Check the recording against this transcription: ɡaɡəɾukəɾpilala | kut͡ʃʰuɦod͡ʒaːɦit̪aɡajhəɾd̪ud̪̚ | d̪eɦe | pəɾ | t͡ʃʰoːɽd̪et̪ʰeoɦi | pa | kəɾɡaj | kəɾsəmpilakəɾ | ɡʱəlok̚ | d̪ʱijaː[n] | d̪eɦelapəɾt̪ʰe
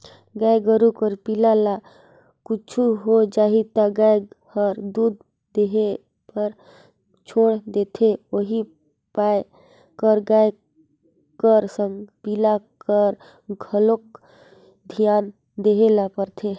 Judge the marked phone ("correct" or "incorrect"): correct